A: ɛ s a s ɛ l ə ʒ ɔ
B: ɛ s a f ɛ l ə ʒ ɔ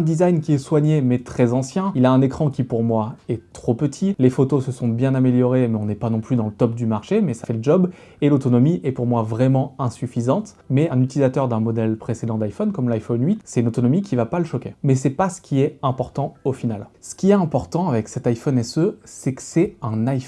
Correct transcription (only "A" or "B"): B